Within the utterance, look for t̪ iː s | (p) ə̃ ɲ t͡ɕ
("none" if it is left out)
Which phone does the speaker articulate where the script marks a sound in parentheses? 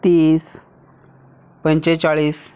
p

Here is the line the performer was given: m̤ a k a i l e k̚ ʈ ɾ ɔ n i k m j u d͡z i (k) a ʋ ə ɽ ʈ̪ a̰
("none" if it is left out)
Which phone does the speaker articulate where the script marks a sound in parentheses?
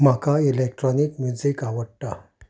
k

